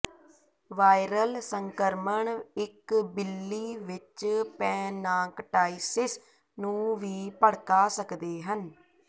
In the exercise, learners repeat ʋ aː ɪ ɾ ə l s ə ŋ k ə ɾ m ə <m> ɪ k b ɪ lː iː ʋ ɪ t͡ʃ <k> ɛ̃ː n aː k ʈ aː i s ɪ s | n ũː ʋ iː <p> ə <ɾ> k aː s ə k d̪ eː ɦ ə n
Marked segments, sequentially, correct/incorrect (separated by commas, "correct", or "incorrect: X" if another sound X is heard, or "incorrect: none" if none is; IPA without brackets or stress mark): incorrect: ɳ, incorrect: p, correct, incorrect: ɽ